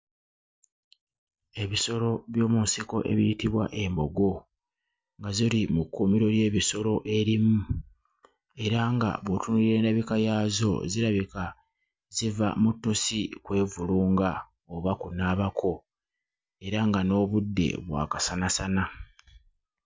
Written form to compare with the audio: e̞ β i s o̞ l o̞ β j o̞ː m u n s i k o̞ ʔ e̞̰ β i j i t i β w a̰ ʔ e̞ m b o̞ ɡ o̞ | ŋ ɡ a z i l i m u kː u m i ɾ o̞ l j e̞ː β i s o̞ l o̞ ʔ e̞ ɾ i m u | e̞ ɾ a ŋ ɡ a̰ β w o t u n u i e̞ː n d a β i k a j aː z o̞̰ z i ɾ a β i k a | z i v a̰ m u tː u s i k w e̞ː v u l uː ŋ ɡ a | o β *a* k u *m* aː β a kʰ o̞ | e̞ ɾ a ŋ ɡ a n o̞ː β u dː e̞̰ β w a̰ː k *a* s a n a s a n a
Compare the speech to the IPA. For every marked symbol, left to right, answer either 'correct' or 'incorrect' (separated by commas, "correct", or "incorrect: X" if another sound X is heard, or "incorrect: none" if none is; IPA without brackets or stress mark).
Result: correct, incorrect: n, correct